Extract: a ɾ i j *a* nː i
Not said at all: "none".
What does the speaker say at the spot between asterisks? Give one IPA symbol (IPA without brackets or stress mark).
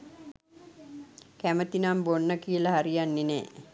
a